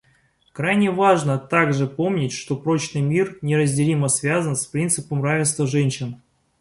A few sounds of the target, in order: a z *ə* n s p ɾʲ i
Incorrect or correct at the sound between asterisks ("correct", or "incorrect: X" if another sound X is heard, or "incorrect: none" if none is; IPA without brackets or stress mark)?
correct